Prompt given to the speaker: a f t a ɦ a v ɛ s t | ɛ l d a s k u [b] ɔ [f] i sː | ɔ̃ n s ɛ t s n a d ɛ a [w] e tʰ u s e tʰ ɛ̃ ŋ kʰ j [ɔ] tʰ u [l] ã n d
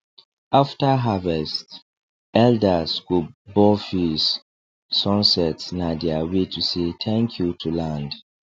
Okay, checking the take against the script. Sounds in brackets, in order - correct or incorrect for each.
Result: correct, correct, correct, incorrect, correct

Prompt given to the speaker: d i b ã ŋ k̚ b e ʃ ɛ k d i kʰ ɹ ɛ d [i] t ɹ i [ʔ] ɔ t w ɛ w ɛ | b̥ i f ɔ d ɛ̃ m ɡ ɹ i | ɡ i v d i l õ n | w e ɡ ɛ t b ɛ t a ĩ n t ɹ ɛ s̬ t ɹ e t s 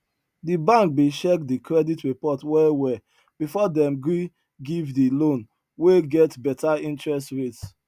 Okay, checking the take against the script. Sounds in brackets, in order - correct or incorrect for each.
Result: correct, incorrect

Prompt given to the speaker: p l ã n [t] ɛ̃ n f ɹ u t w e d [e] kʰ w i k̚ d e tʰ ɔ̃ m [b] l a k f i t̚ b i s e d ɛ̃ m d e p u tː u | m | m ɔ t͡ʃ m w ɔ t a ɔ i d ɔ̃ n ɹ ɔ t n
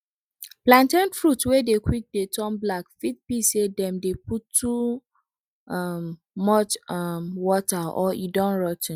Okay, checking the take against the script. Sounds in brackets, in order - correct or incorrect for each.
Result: correct, correct, correct

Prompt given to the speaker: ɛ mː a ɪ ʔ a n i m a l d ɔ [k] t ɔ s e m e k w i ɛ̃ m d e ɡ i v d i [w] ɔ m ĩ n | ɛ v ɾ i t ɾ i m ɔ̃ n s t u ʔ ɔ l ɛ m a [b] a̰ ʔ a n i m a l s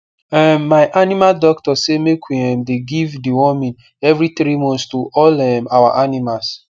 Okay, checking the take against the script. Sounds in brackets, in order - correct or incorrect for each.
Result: correct, correct, incorrect

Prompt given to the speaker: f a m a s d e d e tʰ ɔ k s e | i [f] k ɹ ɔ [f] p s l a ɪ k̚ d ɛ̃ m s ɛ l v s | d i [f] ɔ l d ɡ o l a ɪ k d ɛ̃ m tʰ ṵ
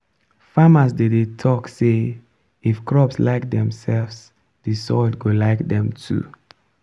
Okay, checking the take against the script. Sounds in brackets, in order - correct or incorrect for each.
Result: correct, incorrect, incorrect

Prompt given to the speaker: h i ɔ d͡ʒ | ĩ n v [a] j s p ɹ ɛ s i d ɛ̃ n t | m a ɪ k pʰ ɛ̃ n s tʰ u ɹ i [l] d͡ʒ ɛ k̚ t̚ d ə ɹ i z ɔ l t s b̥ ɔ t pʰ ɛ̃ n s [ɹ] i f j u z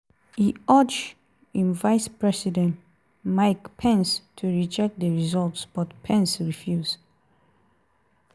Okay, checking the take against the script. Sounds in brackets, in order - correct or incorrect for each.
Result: correct, incorrect, correct

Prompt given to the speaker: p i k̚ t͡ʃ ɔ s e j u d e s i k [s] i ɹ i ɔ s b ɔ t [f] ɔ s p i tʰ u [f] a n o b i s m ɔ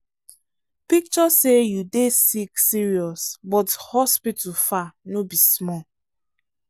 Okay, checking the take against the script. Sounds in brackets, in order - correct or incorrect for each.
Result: correct, incorrect, correct

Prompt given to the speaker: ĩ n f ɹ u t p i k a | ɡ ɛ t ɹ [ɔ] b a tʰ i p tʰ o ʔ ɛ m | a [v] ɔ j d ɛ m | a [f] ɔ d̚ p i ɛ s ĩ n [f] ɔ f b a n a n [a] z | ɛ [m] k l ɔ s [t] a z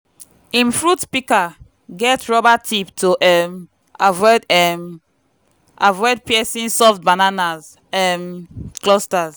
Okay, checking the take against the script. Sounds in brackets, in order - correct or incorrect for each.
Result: correct, correct, incorrect, incorrect, correct, correct, correct

